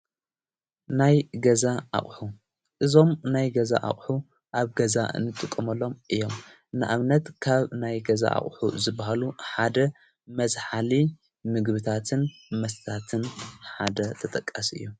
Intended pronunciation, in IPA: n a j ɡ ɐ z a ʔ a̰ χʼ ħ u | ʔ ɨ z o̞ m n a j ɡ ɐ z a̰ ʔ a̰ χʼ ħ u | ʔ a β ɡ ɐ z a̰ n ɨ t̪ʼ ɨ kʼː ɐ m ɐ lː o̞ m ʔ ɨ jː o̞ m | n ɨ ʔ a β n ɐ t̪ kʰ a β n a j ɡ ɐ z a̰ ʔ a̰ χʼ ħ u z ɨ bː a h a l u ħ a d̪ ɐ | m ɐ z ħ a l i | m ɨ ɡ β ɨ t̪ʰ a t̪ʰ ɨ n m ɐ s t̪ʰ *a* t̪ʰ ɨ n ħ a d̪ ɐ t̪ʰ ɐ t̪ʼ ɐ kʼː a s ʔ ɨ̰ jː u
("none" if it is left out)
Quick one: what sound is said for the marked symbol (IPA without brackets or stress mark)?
a